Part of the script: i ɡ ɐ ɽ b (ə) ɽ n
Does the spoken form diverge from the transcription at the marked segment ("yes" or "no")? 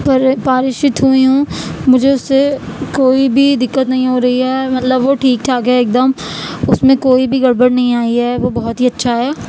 no